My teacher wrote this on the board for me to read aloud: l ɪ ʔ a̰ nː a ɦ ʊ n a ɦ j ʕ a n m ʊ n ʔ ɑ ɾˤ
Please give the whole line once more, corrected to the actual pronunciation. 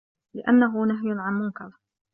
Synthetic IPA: l ɪ ʔ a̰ nː a ɦ ʊ n a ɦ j ʕ a n m ʊ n k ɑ ɾˤ